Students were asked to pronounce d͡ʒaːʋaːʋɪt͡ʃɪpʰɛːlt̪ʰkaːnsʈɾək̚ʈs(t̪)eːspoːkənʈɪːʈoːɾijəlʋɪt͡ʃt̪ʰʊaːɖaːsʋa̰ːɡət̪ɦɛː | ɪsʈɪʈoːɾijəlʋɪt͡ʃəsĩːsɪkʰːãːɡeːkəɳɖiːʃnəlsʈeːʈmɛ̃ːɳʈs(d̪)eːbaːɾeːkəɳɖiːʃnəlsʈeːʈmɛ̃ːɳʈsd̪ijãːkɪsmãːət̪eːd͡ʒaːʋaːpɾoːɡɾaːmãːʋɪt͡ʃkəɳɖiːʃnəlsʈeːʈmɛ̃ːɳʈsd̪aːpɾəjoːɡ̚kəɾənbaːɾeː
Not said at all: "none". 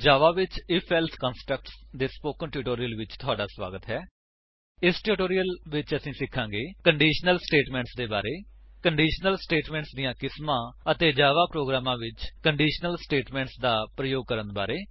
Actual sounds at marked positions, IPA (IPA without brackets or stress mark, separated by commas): d̪, d̪